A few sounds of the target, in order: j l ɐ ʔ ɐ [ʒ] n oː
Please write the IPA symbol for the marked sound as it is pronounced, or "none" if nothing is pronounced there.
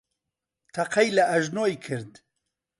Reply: ʒ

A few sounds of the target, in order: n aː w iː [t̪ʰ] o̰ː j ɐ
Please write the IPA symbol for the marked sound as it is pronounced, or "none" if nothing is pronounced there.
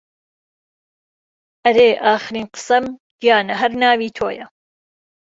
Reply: t̪ʰ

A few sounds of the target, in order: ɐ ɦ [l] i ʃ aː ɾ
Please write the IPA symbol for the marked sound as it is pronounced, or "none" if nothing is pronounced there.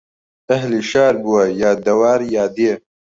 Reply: l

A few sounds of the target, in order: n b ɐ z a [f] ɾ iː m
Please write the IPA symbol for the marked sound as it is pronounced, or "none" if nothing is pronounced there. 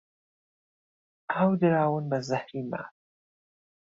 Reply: h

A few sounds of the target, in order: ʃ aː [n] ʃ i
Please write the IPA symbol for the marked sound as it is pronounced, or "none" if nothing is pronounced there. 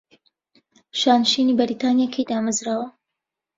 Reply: n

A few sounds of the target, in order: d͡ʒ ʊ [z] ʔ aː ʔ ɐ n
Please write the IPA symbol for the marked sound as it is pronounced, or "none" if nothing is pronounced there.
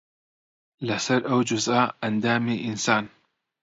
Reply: z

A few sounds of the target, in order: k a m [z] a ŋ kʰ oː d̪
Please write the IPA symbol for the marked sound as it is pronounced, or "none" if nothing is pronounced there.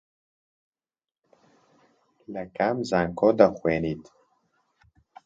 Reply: z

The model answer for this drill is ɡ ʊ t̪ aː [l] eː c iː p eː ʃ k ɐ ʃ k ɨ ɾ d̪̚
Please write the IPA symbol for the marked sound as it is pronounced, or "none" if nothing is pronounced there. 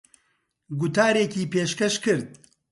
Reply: ɾ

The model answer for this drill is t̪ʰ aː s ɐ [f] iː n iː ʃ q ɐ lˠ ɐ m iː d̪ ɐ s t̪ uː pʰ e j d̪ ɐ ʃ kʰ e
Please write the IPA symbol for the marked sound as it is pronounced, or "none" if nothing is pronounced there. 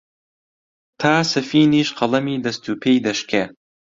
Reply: f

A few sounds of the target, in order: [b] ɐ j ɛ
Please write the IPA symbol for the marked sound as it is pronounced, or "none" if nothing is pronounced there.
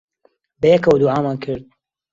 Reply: b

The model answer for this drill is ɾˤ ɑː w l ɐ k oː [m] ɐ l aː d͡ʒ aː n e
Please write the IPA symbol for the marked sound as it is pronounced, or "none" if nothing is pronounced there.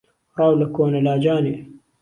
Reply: n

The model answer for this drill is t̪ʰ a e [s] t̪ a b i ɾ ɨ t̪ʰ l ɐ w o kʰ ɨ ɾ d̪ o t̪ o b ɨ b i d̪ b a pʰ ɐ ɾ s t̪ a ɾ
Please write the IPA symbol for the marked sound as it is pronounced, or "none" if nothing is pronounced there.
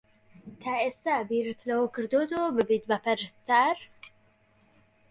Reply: s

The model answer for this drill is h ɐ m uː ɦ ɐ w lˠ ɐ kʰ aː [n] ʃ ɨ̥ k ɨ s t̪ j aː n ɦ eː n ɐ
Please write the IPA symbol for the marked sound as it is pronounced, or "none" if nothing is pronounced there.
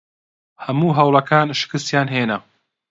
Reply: n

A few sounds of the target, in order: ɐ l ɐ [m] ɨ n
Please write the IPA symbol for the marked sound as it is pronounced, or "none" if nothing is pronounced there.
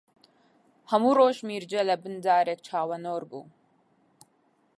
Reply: b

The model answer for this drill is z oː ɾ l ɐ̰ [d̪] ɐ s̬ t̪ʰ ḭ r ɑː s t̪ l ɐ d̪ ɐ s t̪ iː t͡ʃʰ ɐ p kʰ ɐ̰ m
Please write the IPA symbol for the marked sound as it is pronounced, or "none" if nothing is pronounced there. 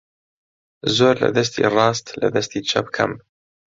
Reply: d̪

